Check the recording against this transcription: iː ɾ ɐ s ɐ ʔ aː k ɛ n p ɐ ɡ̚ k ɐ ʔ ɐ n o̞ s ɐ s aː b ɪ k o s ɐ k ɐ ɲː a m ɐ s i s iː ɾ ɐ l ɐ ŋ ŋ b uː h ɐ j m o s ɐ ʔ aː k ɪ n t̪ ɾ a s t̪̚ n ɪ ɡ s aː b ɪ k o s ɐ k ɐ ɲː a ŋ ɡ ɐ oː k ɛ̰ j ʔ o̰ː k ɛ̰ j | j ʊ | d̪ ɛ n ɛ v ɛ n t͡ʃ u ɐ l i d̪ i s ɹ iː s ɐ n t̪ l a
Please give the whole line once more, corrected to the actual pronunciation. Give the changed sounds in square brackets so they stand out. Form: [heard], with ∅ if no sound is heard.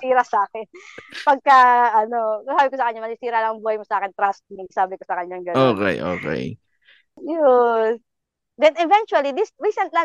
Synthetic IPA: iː ɾ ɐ s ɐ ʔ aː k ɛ n p ɐ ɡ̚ k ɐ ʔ ɐ n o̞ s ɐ s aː b ɪ k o s ɐ k ɐ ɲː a m ɐ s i s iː ɾ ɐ l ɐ ŋ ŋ b uː h ɐ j m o s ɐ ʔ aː k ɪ n t̪ ɾ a s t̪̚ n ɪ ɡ s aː b ɪ k o s ɐ k ɐ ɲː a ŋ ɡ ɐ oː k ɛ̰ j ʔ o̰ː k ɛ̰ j | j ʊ | d̪ ɛ n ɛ v ɛ n t͡ʃ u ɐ l i d̪ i s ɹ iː s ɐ n t̪ l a